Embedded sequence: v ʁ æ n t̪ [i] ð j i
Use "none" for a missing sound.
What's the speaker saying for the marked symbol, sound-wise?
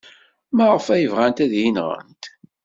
æ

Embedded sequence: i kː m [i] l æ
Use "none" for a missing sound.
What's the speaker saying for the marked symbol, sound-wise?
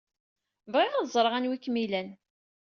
i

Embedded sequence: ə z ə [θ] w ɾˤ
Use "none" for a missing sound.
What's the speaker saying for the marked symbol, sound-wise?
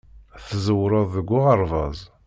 none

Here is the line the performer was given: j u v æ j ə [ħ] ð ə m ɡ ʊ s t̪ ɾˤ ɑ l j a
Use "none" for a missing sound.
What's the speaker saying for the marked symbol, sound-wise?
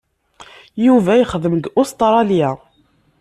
χ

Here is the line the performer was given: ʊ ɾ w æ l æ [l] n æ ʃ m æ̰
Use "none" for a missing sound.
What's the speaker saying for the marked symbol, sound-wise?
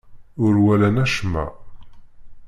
none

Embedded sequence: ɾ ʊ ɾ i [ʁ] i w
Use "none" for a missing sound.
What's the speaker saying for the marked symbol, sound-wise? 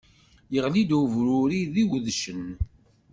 ð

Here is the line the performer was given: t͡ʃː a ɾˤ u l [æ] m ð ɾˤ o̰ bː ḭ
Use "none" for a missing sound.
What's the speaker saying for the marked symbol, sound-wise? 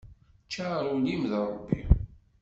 i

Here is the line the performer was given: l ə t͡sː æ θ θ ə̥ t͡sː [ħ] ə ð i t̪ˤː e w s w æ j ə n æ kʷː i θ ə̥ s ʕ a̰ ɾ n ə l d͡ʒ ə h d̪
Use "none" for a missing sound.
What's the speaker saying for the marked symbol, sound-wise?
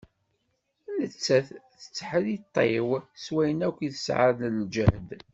ħ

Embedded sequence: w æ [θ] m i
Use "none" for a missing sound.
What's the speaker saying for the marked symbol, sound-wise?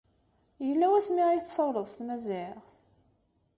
s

